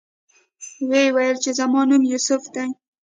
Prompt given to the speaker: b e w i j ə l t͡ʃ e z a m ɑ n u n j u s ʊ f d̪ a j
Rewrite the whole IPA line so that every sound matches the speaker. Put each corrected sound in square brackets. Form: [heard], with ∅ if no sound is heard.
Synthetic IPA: [w] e w [a] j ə l t͡ʃ e z a m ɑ n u [m] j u s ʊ f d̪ a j